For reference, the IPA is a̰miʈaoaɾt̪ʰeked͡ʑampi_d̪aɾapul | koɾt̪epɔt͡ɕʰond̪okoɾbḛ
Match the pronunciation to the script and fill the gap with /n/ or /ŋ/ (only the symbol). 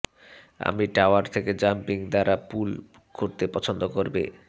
ŋ